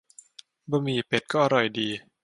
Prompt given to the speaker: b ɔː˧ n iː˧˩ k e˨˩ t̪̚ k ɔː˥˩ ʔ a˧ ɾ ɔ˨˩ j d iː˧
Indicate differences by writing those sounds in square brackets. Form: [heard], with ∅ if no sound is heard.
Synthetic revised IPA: b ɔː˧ [m] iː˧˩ [p] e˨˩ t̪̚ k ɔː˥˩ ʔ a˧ ɾ ɔ˨˩ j d iː˧